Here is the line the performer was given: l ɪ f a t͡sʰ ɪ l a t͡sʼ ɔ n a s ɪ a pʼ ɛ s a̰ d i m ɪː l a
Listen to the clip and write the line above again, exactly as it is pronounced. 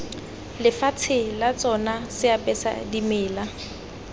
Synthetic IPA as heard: l ɪ f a t͡sʰ ɪ l a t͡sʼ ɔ n a s ɪ a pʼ ɛ s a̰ d i m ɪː l a